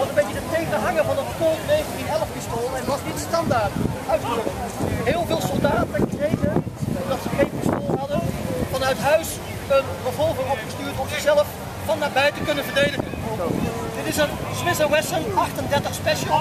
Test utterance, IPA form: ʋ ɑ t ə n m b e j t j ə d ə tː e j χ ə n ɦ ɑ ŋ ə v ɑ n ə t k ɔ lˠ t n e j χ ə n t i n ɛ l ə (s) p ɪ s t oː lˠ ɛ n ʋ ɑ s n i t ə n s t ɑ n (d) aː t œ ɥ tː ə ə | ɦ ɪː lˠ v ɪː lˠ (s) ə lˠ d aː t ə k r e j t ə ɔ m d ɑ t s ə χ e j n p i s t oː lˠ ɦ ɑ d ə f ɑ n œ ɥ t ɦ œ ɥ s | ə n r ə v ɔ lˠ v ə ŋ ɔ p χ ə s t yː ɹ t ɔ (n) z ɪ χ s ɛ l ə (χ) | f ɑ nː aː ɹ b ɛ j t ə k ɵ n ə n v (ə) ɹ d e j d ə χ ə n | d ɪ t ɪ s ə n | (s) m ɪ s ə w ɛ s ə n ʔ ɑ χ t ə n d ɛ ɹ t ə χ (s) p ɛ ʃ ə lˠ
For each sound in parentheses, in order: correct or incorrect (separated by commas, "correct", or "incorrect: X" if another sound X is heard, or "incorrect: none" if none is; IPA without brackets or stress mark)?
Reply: incorrect: f, correct, correct, incorrect: m, incorrect: f, correct, correct, correct